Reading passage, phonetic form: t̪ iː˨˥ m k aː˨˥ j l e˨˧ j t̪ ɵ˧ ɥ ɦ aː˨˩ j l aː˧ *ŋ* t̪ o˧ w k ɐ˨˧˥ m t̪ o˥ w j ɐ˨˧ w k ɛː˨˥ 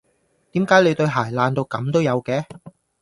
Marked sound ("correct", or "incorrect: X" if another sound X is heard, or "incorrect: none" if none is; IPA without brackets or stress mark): incorrect: n